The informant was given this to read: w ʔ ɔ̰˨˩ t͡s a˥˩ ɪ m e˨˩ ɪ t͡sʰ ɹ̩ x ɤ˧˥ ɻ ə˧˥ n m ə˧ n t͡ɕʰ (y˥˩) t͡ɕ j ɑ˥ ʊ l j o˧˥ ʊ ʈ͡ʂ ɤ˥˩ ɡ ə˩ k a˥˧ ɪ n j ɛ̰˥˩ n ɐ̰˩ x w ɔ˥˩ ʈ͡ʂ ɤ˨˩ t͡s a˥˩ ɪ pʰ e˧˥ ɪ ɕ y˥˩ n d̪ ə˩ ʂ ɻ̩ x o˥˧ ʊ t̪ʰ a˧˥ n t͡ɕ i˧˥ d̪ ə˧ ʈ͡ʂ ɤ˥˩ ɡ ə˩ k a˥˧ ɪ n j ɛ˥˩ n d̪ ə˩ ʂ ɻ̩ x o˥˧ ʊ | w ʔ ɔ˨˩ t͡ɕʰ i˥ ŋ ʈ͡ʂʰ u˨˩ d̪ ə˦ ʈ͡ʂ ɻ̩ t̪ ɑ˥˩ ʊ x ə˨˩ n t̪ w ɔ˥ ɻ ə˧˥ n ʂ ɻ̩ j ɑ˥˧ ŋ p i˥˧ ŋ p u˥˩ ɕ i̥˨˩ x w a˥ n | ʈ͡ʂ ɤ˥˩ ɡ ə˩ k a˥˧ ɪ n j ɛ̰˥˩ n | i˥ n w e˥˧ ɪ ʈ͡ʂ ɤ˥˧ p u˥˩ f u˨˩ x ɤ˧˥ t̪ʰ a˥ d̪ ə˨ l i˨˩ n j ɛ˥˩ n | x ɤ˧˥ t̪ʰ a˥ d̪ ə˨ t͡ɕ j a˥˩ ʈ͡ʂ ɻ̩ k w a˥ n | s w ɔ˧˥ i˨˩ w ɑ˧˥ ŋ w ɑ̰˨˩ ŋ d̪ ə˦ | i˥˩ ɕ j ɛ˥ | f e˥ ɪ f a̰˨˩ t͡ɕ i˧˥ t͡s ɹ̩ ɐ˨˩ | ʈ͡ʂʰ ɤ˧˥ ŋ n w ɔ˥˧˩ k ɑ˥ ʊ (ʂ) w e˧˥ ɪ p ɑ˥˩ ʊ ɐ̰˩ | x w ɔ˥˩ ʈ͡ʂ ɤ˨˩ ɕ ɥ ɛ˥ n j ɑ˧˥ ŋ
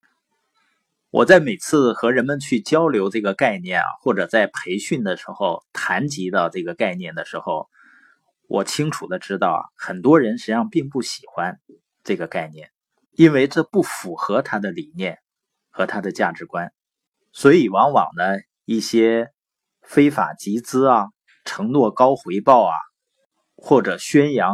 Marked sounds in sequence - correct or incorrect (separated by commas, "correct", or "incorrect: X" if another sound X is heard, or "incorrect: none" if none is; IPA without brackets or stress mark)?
correct, incorrect: x